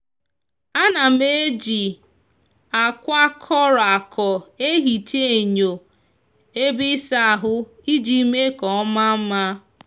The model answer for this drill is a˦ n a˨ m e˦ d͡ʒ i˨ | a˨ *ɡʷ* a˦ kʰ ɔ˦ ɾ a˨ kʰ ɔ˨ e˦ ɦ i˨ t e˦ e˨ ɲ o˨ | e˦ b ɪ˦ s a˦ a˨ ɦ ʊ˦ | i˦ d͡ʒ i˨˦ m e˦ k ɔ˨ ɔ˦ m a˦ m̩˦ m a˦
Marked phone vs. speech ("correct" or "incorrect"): incorrect